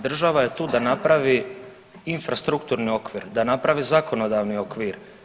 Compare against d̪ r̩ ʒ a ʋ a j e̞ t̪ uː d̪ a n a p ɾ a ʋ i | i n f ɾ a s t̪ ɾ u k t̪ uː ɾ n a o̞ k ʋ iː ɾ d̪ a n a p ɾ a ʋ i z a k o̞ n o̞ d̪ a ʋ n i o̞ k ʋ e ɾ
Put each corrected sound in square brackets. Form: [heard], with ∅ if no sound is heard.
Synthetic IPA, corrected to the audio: d̪ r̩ ʒ a ʋ a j e̞ t̪ uː d̪ a n a p ɾ a ʋ i | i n f ɾ a s t̪ ɾ u k t̪ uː ɾ n [i] o̞ k ʋ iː ɾ d̪ a n a p ɾ a ʋ i z a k o̞ n o̞ d̪ a ʋ n i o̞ k ʋ [i] ɾ

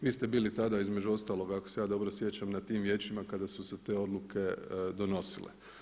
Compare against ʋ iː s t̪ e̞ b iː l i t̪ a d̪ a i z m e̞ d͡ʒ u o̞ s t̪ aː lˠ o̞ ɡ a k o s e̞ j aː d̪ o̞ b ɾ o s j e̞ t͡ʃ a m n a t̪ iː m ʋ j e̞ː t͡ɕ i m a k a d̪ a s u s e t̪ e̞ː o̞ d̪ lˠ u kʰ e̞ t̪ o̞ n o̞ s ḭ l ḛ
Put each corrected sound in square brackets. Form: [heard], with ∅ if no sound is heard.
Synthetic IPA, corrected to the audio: ʋ iː s t̪ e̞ b iː l i t̪ a d̪ a i z m e̞ d͡ʒ u o̞ s t̪ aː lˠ o̞ ɡ a k o s e̞ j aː d̪ o̞ b ɾ o s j e̞ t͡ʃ a m n a t̪ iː m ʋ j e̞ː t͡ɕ i m a k a d̪ a s u s e t̪ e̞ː o̞ d̪ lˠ u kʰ e̞ [d̪] o̞ n o̞ s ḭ l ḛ

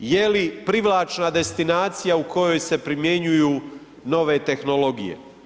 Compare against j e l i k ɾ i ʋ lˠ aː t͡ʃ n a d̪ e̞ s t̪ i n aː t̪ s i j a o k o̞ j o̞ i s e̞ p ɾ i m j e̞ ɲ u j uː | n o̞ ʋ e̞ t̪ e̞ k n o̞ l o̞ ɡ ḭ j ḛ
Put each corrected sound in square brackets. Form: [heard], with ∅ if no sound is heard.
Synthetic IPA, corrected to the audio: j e l i [p] ɾ i ʋ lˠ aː t͡ʃ n a d̪ e̞ s t̪ i n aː t̪ s i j a [u] k o̞ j o̞ [j] s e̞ p ɾ i m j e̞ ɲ u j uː | n o̞ ʋ e̞ t̪ e̞ [x] n o̞ l o̞ ɡ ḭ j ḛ

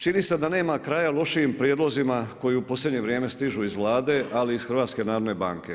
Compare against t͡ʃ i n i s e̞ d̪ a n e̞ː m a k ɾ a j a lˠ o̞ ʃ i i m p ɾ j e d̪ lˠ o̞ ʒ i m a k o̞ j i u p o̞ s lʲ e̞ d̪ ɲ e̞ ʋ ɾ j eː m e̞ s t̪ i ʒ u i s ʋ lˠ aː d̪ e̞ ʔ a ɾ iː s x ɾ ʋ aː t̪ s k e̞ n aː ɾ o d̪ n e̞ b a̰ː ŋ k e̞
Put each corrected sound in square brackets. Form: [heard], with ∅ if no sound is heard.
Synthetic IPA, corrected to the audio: t͡ʃ i n i s e̞ d̪ a n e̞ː m a k ɾ a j a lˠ o̞ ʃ i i m p ɾ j e d̪ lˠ o̞ [z] i m a k o̞ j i u p o̞ s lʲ e̞ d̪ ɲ e̞ ʋ ɾ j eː m e̞ s t̪ i ʒ u i [z] ʋ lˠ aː d̪ e̞ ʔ a [l] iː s x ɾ ʋ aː t̪ s k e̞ n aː ɾ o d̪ n e̞ b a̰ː ŋ k e̞

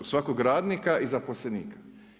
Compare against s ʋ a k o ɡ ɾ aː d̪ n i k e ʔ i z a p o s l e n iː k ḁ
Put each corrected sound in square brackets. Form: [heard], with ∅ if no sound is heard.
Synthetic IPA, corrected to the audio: s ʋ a k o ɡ ɾ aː d̪ n i k [a] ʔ i z a p o s l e n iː k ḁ

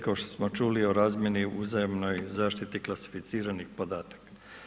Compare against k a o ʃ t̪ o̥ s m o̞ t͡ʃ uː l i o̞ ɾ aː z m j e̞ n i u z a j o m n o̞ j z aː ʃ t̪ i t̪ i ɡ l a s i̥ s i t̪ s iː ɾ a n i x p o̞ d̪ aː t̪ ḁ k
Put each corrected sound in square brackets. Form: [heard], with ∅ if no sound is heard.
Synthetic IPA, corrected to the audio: k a o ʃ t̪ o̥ s m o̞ t͡ʃ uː l i o̞ ɾ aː z m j e̞ n i u z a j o m n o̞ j z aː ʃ t̪ i t̪ i [k] l a s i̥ [f] i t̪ s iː ɾ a n i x p o̞ d̪ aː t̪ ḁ k

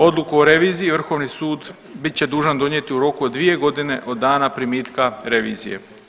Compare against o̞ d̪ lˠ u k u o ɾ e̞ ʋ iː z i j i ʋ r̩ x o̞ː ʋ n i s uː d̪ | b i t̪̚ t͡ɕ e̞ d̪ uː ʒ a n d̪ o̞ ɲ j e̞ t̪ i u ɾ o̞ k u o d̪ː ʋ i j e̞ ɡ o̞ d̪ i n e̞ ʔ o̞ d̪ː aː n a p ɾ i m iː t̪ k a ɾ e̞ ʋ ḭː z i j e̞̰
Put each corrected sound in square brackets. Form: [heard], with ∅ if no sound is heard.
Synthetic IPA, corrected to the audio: o̞ d̪ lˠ u k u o ɾ e̞ ʋ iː z i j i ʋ r̩ x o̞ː ʋ n i s uː d̪ | b i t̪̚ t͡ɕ e̞ d̪ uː ʒ a n d̪ o̞ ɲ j e̞ t̪ i u ɾ o̞ k u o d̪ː ʋ i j e̞ ɡ o̞ d̪ i n e̞ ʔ o̞ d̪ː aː n a p ɾ i m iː t̪ k a ɾ e̞ ʋ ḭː z i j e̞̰

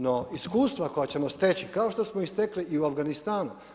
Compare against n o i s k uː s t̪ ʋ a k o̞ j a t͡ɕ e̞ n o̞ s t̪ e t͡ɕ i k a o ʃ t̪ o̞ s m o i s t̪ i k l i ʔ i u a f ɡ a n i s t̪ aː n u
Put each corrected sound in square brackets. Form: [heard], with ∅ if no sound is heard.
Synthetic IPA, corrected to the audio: n o i s k uː s t̪ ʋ a k o̞ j a t͡ɕ e̞ [m] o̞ s t̪ e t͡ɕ i k a o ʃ t̪ o̞ s m o i s t̪ [e] k l i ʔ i u a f ɡ a n i s t̪ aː n u

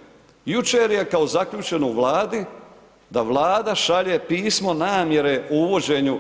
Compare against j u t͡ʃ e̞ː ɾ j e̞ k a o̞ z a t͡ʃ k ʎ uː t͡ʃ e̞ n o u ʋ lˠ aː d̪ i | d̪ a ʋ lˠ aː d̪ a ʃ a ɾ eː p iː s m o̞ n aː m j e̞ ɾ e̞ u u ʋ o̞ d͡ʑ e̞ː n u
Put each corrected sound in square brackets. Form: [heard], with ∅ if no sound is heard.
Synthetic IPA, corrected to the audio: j u t͡ʃ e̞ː ɾ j e̞ k a o̞ z a [∅] k ʎ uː t͡ʃ e̞ n o u ʋ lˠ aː d̪ i | d̪ a ʋ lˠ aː d̪ a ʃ a [ʎ] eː p iː s m o̞ n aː m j e̞ ɾ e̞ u u ʋ o̞ d͡ʑ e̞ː [ɲ] u

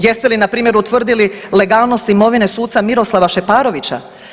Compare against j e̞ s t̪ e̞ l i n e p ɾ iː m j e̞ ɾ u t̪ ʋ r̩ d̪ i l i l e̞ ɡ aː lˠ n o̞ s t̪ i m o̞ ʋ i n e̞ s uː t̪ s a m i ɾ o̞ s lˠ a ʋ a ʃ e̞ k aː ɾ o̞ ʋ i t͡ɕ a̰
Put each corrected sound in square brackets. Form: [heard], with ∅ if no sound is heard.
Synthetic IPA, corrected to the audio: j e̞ s t̪ e̞ l i n [a] p ɾ iː m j e̞ ɾ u t̪ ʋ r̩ d̪ i l i l e̞ ɡ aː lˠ n o̞ s t̪ i m o̞ ʋ i n e̞ s uː t̪ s a m i ɾ o̞ s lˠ a ʋ a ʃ e̞ [p] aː ɾ o̞ ʋ i t͡ɕ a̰

